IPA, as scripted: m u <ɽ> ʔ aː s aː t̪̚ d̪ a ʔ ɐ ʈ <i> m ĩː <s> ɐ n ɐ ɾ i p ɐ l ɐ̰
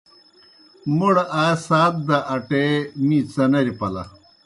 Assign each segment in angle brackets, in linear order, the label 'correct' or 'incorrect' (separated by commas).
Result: correct, incorrect, incorrect